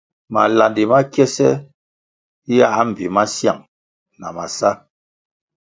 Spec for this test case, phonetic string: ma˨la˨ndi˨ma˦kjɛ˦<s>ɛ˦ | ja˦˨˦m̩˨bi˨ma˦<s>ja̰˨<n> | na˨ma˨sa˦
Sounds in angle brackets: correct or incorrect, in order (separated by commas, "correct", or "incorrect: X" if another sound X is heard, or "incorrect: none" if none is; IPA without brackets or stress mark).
correct, correct, incorrect: ŋ